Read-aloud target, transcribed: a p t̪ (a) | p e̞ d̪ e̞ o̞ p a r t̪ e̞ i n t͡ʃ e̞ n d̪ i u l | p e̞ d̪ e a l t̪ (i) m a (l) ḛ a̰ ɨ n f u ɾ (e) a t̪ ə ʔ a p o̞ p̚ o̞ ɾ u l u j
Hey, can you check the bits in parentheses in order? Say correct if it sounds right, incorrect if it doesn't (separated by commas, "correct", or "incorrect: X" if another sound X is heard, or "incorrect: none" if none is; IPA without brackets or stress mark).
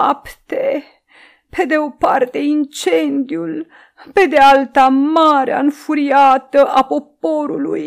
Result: incorrect: e, incorrect: a, incorrect: ɾ, incorrect: i